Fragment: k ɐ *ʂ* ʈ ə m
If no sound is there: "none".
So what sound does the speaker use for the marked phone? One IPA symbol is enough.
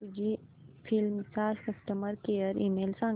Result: s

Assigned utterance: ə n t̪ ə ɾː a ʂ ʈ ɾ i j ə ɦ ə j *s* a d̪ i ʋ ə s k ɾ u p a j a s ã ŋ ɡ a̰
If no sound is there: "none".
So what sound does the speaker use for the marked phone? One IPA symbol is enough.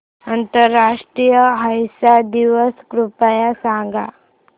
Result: s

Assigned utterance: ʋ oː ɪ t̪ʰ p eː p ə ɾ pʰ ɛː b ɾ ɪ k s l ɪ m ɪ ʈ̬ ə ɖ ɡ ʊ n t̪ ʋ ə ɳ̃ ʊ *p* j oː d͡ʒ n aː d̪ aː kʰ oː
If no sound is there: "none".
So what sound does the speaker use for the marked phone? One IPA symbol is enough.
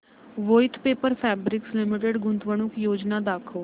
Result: k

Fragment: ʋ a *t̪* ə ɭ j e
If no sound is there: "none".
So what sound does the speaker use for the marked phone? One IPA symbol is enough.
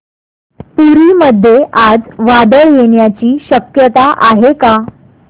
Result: d̪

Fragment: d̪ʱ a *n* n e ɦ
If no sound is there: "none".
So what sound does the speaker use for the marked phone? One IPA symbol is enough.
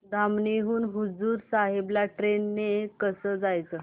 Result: m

